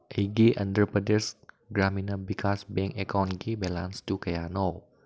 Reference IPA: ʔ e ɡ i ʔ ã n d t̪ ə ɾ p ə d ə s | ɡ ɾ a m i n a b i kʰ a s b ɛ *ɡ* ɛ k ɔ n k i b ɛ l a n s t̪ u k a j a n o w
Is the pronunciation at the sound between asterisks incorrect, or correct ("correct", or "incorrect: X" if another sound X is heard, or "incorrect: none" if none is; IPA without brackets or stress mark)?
incorrect: ŋ